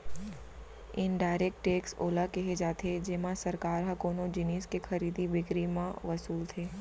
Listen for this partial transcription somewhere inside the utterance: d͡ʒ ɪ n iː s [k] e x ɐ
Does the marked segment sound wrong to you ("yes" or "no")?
no